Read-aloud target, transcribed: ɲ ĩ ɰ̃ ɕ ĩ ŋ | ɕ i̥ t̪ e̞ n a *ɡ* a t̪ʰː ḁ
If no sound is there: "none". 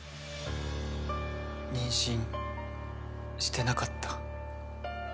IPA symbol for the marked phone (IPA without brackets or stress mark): k